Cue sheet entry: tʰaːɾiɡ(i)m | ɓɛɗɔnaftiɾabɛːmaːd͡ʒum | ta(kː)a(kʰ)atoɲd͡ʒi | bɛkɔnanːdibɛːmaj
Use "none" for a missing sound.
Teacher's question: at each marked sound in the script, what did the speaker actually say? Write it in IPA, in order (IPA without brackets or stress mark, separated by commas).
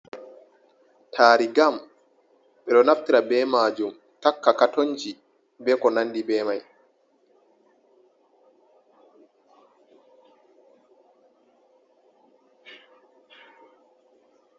a, kː, k